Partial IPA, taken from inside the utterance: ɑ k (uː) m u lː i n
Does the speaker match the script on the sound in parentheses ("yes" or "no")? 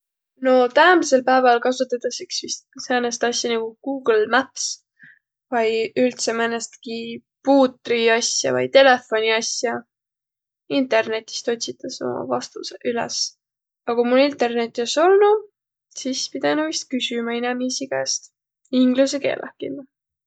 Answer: no